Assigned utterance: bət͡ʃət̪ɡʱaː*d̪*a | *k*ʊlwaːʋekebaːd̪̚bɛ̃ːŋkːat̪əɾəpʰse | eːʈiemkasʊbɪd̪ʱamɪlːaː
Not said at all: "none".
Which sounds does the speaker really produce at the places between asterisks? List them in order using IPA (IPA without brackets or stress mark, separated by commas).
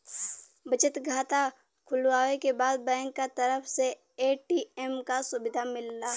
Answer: t̪, kʰ